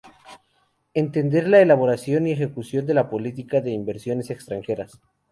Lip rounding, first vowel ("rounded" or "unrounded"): unrounded